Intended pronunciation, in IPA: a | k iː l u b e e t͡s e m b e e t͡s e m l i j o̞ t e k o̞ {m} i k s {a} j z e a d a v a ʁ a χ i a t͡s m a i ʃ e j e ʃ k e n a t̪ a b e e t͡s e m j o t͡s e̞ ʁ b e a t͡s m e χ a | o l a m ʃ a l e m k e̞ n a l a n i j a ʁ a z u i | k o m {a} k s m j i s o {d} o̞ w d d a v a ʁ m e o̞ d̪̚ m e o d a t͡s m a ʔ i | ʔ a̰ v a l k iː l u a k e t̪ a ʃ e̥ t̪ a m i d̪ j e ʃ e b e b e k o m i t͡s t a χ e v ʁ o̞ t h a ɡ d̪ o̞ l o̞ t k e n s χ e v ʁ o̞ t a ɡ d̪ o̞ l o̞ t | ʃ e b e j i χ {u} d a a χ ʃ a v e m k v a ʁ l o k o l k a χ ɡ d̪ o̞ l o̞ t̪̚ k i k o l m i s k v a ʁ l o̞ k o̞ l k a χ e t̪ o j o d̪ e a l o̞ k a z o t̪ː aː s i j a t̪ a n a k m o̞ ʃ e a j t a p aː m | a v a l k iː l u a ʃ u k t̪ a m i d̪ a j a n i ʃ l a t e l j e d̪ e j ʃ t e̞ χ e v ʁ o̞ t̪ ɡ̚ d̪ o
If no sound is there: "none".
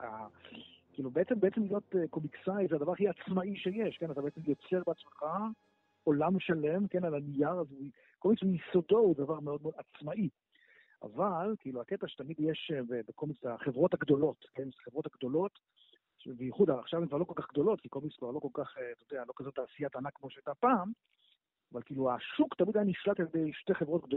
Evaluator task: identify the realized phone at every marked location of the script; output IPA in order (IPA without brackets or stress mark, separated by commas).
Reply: m, a, i, d, u